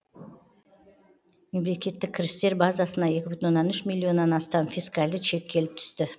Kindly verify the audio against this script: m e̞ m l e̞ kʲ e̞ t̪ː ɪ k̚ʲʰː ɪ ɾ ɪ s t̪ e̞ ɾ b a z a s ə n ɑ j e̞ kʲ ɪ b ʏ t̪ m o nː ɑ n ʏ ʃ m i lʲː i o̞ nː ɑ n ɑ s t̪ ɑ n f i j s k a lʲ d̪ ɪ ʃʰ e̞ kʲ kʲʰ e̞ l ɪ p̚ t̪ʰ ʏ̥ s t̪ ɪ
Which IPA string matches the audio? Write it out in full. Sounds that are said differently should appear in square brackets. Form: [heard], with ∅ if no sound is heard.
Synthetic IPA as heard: m e̞ m l e̞ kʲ e̞ t̪ː ɪ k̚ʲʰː ɪ ɾ ɪ s t̪ e̞ ɾ b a z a s ə n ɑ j e̞ kʲ ɪ b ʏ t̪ [n] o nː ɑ n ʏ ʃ m i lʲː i o̞ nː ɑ n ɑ s t̪ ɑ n f i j s k a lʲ d̪ ɪ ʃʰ e̞ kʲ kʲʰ e̞ l ɪ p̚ t̪ʰ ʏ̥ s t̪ ɪ